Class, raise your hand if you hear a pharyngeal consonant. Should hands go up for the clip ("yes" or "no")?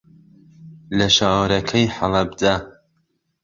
yes